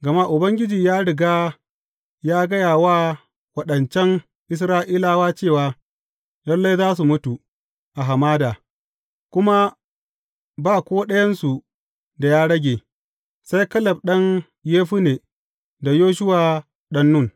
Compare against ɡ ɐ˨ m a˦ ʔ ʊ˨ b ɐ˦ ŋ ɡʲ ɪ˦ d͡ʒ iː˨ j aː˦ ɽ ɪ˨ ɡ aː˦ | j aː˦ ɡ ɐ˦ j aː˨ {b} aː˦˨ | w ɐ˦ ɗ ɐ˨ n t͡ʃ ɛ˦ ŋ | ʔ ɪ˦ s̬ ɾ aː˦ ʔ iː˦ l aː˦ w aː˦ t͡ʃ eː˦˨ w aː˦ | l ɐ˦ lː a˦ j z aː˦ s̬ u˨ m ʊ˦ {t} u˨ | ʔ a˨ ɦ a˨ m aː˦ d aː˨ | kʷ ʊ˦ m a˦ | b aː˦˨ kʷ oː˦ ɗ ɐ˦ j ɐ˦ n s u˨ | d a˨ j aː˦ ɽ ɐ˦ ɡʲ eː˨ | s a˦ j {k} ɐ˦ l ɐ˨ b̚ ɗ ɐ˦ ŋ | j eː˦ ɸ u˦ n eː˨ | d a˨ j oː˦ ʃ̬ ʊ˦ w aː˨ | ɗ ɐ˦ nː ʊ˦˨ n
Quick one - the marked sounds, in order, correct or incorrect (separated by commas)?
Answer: incorrect, correct, correct